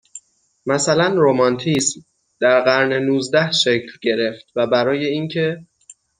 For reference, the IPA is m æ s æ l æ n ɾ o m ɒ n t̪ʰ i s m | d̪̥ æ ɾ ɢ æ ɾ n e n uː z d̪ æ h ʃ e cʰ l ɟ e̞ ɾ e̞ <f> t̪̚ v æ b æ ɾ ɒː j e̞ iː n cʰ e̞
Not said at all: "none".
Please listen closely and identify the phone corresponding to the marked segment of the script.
f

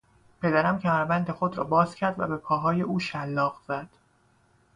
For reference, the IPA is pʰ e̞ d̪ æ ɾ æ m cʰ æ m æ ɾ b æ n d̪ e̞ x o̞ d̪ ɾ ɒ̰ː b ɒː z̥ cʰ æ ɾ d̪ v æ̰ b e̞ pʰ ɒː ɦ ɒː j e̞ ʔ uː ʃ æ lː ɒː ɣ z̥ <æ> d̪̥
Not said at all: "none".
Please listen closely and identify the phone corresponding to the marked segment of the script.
æ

